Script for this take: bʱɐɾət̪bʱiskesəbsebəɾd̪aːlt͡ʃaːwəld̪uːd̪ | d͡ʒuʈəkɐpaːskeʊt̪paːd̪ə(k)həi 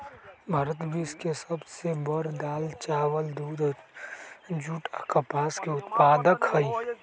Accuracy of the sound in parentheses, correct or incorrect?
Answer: correct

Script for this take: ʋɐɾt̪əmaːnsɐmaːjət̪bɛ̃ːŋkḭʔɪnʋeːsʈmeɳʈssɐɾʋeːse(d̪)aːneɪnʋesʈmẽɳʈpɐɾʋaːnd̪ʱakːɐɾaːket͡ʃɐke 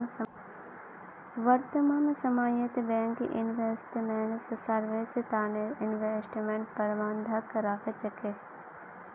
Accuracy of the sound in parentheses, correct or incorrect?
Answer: incorrect: t̪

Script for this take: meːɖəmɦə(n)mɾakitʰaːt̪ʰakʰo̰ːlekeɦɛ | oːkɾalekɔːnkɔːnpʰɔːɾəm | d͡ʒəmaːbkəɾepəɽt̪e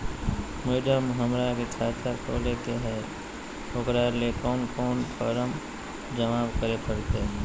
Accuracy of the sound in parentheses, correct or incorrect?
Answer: incorrect: none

